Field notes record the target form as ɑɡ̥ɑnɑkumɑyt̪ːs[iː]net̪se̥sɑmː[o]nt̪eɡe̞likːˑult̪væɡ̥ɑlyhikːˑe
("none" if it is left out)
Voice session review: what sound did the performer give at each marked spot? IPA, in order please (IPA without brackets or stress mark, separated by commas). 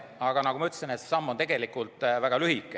i, o